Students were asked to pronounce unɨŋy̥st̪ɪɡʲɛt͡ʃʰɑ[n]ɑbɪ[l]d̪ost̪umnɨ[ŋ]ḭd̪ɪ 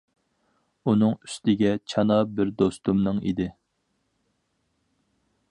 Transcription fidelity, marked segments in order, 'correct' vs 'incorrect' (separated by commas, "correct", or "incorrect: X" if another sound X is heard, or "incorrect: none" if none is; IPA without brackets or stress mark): correct, incorrect: ɾ, correct